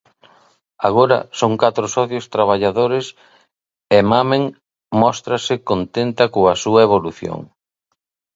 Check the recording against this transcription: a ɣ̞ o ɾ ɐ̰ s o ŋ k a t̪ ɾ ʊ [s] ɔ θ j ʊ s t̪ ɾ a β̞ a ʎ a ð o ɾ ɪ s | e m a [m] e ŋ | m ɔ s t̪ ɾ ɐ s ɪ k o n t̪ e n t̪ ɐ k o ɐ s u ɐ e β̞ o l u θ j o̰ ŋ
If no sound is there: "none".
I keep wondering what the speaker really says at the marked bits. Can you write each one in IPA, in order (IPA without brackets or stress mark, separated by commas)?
s, m